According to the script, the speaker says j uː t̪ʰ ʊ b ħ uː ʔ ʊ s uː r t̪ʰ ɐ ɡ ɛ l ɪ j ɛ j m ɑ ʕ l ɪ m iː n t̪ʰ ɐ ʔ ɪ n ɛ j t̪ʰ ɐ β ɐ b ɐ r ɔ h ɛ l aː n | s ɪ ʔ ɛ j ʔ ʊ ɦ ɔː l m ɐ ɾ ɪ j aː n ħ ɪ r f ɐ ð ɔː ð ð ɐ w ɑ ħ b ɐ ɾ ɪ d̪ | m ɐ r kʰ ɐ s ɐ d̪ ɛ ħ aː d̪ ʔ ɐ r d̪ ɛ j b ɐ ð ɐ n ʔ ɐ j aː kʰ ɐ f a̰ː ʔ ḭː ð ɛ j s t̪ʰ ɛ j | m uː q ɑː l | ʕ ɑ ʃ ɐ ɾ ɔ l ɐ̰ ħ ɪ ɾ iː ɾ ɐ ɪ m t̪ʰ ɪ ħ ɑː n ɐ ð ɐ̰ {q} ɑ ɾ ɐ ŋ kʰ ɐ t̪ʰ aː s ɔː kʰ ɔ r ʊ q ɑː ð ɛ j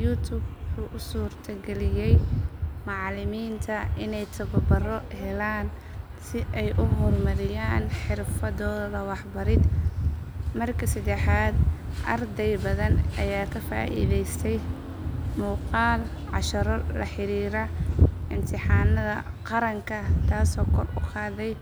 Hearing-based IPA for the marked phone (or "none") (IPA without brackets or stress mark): q